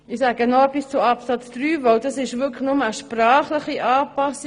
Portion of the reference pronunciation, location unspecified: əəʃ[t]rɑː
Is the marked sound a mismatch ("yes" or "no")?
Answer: yes